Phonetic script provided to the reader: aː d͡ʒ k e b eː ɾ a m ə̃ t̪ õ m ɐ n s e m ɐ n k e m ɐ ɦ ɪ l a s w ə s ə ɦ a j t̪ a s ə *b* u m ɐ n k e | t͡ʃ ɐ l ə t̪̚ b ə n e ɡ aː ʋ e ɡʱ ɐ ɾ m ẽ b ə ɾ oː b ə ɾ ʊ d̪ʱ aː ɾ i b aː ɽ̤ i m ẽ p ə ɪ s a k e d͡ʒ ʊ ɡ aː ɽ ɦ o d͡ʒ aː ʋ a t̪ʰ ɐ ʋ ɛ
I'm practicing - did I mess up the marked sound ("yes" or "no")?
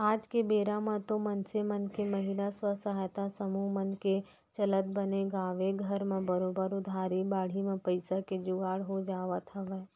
yes